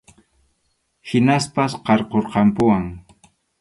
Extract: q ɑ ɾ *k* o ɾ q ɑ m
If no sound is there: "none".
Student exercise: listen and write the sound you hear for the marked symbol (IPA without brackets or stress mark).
q